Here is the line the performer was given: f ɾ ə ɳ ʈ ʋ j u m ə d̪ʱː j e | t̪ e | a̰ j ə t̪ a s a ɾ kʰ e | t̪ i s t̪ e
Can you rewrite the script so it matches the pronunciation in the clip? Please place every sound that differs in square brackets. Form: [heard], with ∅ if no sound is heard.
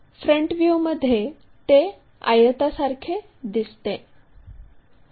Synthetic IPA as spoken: f ɾ ə ɳ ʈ ʋ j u m ə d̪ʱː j e | t̪ e | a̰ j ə t̪ a s a ɾ kʰ e | [d̪] i s t̪ e